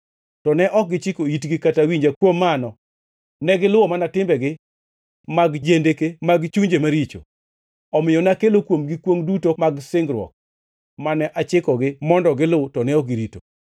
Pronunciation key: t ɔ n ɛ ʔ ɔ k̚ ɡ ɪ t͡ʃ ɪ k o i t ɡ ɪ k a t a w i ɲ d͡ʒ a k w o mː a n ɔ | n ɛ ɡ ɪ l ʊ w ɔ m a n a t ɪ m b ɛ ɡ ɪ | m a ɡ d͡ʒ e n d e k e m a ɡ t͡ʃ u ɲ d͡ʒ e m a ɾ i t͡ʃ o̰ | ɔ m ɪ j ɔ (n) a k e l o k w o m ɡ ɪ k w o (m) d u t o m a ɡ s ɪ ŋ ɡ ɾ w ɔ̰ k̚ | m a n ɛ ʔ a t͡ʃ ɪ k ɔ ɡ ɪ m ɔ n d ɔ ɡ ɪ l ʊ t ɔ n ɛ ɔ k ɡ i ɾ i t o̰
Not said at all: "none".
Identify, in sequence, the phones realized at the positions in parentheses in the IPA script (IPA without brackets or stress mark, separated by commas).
n, ŋ